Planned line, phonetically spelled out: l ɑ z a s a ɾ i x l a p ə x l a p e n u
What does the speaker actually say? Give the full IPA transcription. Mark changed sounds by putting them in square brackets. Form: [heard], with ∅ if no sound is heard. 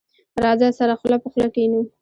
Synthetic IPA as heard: [ɾ] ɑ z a s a ɾ [a] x l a p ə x l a [k] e n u